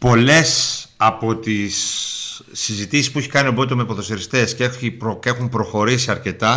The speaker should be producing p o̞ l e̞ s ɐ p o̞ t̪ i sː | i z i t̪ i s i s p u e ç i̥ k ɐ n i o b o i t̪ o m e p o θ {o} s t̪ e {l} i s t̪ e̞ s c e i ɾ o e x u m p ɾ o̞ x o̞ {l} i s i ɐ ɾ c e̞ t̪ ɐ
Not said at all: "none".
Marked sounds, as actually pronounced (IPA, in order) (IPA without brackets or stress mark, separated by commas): o, ɾ, ɾ